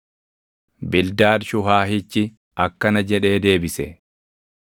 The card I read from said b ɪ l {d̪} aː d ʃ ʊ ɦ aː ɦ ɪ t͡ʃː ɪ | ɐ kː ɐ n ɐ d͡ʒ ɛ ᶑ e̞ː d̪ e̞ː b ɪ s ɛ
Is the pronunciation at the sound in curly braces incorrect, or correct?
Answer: correct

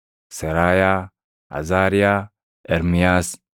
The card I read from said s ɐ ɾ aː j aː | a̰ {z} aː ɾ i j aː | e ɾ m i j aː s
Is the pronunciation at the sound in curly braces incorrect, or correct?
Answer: correct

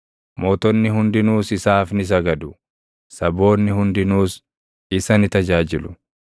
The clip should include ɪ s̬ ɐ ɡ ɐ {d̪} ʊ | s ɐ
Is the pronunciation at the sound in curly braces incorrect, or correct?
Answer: correct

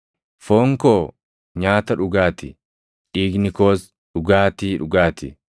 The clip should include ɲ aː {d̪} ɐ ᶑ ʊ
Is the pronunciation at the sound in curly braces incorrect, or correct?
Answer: incorrect: t̪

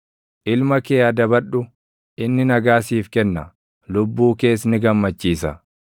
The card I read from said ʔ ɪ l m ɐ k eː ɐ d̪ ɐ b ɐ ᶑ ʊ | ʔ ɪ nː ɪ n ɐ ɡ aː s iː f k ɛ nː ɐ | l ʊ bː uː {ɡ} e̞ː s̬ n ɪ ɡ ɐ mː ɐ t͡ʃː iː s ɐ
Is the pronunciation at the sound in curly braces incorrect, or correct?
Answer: incorrect: k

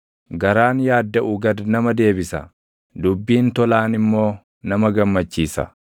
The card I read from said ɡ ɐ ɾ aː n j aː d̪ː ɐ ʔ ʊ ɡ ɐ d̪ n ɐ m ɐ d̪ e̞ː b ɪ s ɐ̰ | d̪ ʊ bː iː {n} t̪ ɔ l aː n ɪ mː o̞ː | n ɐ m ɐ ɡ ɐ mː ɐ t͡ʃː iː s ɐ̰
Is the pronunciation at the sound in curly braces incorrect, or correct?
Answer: correct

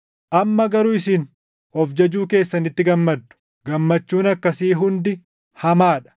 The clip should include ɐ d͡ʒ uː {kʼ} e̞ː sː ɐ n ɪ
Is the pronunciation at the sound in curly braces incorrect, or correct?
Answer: incorrect: k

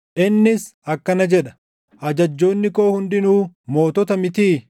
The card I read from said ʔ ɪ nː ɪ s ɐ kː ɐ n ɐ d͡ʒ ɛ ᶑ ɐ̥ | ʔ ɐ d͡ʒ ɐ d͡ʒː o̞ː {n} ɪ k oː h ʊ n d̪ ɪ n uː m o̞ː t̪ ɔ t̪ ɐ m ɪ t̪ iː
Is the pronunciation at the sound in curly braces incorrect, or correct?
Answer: incorrect: nː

